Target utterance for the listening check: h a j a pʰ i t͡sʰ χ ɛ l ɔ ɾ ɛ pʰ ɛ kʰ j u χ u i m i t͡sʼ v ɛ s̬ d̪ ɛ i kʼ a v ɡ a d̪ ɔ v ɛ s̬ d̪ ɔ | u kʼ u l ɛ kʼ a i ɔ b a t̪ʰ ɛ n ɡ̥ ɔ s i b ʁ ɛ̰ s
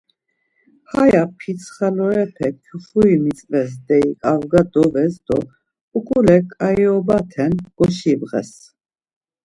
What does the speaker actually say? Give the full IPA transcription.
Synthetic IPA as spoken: h a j a pʰ i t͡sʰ χ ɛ l ɔ ɾ ɛ pʰ ɛ kʰ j u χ u i m i t͡sʼ v ɛ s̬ d̪ ɛ i kʼ a v ɡ a d̪ ɔ v ɛ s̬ d̪ ɔ | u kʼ u l ɛ kʼ a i ɔ b a t̪ʰ ɛ n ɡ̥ ɔ ʃ i b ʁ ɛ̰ s